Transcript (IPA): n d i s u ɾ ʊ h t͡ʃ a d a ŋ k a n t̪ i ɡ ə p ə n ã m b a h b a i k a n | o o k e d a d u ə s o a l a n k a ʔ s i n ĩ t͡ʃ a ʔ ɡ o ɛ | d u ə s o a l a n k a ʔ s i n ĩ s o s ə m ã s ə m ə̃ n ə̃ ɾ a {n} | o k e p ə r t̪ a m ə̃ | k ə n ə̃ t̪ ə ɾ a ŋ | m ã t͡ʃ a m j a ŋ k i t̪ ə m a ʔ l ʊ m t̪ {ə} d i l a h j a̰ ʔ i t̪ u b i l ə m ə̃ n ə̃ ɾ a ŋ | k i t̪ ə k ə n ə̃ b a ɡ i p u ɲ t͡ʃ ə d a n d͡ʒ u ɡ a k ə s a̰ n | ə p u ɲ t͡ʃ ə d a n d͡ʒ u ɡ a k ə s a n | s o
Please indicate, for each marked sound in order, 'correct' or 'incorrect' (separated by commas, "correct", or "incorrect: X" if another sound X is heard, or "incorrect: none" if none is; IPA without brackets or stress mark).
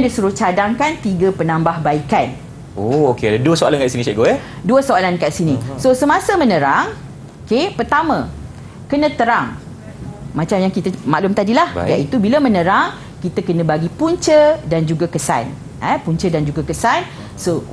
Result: incorrect: ŋ, incorrect: a